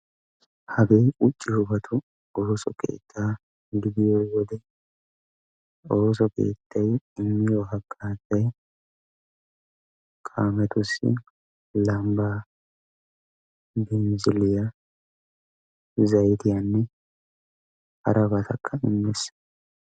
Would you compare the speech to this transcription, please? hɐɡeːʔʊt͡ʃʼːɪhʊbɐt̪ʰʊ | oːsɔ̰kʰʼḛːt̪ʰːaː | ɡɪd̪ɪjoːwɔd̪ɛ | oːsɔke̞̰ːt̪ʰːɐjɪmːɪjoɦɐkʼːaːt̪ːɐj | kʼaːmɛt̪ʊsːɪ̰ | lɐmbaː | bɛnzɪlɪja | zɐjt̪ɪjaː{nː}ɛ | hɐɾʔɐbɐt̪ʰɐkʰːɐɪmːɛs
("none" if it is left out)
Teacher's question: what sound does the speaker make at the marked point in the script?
nː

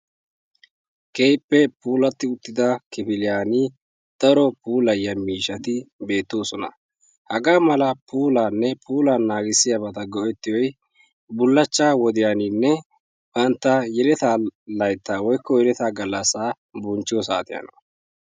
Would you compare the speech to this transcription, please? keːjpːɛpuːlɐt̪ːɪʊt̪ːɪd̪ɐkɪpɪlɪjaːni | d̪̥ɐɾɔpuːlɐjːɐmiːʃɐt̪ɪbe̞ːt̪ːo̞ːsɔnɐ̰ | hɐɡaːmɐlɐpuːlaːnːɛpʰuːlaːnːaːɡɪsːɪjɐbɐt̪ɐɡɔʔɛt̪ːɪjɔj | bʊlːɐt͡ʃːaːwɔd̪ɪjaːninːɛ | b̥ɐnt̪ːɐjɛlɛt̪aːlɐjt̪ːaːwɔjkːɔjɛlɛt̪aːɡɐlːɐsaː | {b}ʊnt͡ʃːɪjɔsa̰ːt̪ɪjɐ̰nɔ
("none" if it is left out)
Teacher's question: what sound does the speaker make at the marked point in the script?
b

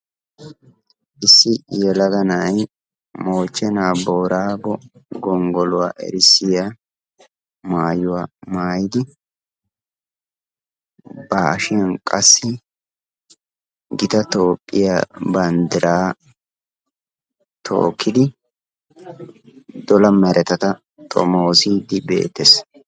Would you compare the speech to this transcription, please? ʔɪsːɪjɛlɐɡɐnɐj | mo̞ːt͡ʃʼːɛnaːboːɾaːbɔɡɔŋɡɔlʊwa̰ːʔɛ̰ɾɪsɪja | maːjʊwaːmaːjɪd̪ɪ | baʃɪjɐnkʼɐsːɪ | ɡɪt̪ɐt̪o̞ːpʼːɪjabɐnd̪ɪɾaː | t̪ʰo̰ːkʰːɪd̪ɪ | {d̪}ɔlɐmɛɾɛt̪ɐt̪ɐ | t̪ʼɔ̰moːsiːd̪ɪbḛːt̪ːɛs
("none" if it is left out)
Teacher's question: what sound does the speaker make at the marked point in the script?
d̪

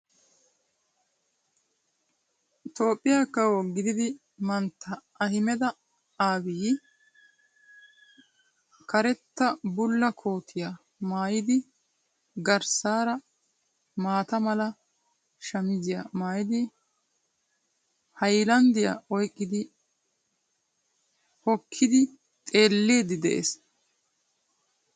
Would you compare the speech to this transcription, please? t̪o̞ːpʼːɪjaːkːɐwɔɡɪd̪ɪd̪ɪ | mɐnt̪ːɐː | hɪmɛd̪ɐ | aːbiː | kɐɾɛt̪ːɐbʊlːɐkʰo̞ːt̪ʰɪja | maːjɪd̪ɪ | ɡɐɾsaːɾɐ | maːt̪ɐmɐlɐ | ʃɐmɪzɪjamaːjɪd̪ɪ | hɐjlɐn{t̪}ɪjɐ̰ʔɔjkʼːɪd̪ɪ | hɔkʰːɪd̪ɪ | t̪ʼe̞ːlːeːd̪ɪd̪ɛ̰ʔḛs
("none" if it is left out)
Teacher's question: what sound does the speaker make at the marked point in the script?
d̪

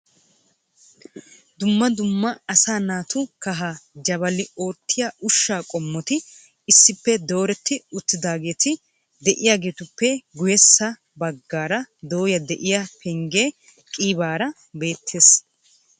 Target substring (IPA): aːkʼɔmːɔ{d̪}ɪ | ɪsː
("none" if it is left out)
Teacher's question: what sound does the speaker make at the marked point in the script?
t̪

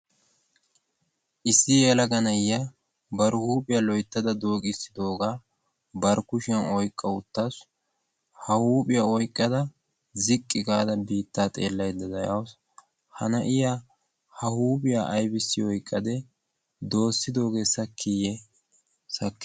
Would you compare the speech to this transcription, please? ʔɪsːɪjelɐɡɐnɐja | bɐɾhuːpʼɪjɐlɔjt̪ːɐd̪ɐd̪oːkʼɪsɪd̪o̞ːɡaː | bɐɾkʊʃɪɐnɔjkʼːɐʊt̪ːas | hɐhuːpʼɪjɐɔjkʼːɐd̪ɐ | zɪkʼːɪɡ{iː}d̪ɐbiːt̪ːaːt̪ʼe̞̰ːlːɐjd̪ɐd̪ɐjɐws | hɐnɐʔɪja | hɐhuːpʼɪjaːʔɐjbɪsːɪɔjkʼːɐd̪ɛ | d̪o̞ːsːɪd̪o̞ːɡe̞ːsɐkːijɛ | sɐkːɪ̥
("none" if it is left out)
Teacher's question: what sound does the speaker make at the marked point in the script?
aː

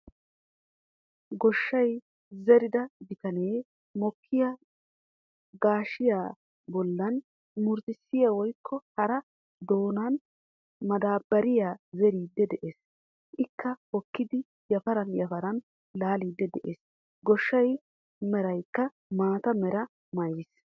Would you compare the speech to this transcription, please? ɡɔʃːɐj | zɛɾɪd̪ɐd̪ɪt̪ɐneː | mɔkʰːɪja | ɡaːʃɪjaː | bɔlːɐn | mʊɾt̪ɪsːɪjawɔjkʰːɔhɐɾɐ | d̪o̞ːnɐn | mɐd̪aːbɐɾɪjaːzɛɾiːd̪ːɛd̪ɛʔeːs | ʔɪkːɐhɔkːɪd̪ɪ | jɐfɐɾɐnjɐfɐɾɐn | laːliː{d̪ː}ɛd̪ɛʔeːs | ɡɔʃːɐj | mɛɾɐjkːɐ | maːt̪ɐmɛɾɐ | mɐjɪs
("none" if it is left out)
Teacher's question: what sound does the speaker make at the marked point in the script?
d̪ː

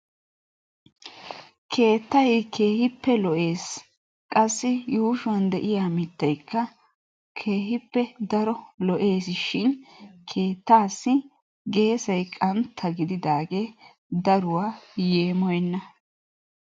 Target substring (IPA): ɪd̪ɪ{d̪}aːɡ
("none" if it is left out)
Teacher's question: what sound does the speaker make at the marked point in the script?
d̪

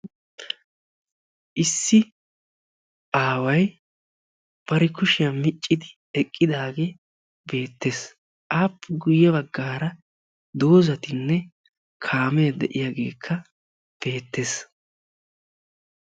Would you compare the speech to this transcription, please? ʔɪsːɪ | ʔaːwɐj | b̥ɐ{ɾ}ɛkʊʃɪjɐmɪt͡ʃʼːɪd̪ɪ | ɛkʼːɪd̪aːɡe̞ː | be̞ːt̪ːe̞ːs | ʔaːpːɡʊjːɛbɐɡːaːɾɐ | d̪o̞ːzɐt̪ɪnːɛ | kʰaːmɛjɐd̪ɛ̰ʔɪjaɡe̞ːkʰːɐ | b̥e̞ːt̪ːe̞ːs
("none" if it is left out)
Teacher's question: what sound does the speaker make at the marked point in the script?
ɾ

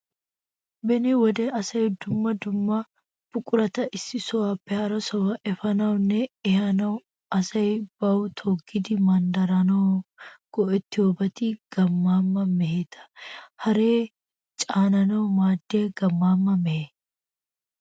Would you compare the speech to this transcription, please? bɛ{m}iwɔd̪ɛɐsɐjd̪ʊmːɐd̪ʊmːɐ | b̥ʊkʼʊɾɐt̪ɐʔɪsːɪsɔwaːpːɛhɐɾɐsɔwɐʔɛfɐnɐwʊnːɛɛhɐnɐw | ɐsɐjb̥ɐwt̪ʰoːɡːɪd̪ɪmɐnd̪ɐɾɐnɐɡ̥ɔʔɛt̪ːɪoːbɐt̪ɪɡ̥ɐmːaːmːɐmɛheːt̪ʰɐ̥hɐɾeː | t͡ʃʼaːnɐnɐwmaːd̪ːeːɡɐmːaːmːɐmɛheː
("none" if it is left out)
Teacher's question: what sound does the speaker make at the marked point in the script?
n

